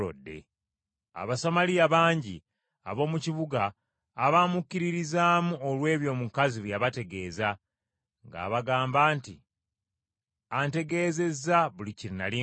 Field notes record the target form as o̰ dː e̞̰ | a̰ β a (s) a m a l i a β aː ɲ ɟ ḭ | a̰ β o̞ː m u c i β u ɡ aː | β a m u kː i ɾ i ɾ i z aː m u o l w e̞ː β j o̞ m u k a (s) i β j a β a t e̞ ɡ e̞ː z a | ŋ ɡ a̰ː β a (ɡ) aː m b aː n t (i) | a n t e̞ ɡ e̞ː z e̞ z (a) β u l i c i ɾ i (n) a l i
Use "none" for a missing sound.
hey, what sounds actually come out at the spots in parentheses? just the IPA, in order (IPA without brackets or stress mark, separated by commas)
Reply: s, z, ɡ, i, a, n